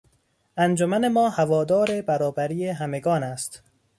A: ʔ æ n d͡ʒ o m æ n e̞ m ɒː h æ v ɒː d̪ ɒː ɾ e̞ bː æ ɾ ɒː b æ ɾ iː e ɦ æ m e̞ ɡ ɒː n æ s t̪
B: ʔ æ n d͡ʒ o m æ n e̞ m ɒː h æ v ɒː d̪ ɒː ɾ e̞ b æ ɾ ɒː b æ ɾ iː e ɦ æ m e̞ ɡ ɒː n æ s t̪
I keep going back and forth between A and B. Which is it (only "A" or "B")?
B